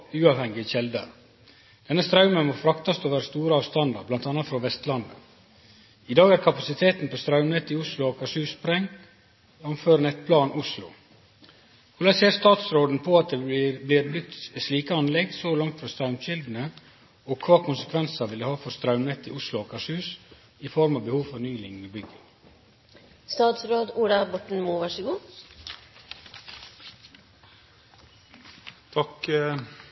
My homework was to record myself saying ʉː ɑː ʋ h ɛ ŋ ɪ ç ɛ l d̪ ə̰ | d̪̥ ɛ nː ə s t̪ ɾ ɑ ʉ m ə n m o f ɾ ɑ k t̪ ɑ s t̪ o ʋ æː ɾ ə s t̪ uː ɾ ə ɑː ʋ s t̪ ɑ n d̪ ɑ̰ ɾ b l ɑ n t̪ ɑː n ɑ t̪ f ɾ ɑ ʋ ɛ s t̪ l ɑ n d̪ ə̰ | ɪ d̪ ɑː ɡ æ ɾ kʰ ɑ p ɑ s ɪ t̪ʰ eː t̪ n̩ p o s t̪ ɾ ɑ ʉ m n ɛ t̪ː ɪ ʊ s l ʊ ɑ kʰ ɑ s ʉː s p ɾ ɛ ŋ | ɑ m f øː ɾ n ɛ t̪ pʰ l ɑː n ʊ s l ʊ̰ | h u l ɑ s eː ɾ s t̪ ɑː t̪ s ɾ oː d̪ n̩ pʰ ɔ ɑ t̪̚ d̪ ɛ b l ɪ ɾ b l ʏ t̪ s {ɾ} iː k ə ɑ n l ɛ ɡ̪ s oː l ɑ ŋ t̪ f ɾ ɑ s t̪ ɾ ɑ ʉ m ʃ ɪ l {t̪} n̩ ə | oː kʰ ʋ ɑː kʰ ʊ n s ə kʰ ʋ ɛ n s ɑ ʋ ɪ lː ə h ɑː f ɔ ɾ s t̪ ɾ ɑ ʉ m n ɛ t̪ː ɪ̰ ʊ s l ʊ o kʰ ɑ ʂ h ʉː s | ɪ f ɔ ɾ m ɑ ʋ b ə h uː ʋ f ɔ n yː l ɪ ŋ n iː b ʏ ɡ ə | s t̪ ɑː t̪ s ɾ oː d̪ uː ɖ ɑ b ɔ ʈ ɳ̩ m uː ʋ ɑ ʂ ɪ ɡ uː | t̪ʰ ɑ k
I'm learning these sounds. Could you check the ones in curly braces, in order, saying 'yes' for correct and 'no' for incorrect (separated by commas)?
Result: no, no